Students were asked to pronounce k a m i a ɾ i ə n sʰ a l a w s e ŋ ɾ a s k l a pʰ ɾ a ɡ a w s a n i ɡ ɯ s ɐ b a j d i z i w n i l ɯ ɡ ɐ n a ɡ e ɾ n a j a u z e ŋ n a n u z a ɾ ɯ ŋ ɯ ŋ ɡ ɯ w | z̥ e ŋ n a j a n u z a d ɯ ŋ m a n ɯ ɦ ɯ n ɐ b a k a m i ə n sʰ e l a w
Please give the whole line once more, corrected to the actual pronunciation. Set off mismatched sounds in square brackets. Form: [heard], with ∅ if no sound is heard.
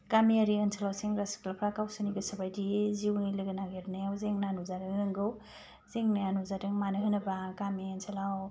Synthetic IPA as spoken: k a m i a ɾ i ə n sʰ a l a w s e ŋ ɾ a s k l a pʰ ɾ a [k] a w s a n i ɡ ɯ s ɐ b a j d i z i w n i l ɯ ɡ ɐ n a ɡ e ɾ n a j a [w] z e ŋ n a n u z a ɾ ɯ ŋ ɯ ŋ ɡ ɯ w | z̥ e ŋ n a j a n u z a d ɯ ŋ m a n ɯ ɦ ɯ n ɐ b a k a m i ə n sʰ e l a w